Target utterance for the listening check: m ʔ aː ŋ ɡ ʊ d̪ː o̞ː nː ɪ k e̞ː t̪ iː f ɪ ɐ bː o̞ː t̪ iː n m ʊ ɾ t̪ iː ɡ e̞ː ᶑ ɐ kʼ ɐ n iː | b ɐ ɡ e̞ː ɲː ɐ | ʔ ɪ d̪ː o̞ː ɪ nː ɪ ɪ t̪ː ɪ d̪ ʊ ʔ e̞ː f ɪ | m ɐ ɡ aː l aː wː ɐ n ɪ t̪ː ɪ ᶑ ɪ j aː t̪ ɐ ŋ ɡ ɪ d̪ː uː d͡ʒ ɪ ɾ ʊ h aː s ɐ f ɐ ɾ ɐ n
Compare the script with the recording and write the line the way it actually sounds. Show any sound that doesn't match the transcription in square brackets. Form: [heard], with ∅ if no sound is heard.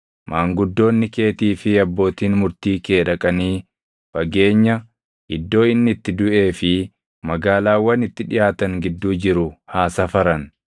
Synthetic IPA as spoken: m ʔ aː ŋ ɡ ʊ d̪ː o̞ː nː ɪ k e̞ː t̪ iː f ɪ ɐ bː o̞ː t̪ iː n m ʊ ɾ t̪ iː [k] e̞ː ᶑ ɐ kʼ ɐ n iː | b ɐ ɡ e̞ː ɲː ɐ | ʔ ɪ d̪ː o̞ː ɪ nː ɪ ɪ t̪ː ɪ d̪ ʊ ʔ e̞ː f ɪ | m ɐ ɡ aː l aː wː ɐ n ɪ t̪ː ɪ ᶑ ɪ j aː t̪ ɐ ŋ ɡ ɪ d̪ː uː d͡ʒ ɪ ɾ ʊ h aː s ɐ f ɐ ɾ ɐ n